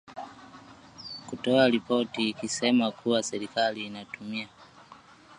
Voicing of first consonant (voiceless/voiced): voiceless